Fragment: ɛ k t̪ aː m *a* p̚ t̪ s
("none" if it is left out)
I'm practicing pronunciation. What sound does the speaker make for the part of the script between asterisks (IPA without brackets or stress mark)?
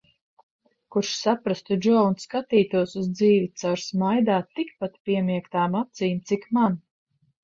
a